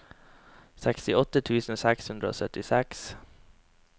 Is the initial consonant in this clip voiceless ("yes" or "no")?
yes